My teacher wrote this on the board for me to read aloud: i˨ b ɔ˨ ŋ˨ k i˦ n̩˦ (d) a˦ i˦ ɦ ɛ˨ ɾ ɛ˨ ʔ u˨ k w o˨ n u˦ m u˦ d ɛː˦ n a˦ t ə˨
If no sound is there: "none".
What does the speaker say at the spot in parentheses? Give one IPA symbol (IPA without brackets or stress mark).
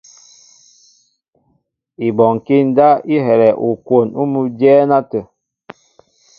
d